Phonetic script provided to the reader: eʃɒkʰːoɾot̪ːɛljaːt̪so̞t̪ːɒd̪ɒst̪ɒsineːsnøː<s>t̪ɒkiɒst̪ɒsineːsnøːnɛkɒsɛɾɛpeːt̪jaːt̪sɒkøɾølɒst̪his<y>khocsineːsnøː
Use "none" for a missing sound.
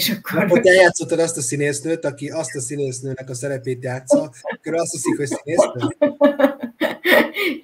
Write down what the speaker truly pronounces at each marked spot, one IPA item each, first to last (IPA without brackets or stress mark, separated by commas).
none, i